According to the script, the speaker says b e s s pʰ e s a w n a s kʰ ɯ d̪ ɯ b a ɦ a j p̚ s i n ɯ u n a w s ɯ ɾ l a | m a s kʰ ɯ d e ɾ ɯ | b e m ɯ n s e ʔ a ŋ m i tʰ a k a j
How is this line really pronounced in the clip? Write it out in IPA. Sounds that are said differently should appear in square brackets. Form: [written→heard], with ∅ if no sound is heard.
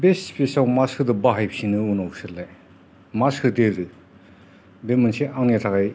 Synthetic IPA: b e s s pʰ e s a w [n→m] a s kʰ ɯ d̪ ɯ b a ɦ a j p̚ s i n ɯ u n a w s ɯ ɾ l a | m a s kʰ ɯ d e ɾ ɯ | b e m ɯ n s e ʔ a ŋ [m→n] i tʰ a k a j